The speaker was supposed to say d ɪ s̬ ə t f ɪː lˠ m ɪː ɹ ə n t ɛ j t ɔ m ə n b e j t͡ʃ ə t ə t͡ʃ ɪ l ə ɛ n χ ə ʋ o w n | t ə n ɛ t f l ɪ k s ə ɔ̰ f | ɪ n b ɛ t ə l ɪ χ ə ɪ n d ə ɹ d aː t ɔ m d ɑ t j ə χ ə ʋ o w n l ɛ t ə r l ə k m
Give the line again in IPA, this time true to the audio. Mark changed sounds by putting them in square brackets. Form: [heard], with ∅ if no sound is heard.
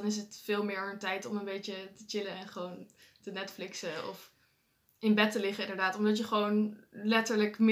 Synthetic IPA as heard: [n] ɪ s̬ ə t f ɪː lˠ m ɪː ɹ ə n t ɛ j t ɔ m ə n b e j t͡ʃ ə t ə t͡ʃ ɪ l ə ɛ n χ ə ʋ o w n | t ə n ɛ t f l ɪ k s ə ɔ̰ f | ɪ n b ɛ t ə l ɪ χ ə ɪ n d ə ɹ d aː t ɔ m d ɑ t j ə χ ə ʋ o w n l ɛ t ə [ɹ] l ə k m